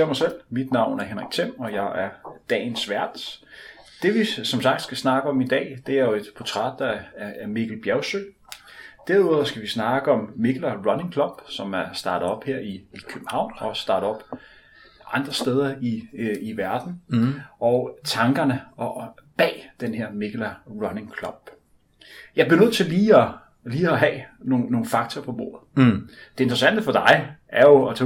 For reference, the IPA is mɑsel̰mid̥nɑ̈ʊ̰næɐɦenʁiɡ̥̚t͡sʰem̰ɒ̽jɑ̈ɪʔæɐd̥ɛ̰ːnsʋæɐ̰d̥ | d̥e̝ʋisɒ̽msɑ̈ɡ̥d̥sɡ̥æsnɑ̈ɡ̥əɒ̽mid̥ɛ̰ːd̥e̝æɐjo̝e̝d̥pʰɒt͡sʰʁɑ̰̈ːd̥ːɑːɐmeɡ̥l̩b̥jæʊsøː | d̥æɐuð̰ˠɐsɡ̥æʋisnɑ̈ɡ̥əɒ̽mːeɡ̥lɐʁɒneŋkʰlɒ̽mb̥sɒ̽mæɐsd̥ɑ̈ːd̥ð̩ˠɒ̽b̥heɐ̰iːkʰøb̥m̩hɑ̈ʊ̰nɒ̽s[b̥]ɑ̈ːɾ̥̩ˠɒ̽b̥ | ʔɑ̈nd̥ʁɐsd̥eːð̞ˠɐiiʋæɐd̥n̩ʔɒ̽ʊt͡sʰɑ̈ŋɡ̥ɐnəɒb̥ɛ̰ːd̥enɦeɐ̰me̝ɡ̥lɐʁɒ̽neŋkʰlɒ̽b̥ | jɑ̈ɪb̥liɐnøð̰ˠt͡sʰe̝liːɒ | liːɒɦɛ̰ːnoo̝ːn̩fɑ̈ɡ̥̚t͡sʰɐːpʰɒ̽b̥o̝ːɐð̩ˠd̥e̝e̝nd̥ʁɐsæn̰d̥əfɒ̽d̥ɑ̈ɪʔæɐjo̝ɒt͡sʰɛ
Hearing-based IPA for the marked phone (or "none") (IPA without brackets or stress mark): d̥